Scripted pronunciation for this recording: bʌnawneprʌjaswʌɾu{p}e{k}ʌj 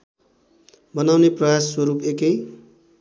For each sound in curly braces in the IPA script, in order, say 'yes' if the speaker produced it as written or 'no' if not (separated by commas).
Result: yes, yes